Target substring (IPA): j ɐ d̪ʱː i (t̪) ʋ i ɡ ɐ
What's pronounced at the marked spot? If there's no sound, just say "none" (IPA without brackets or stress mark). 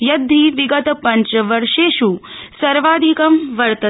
none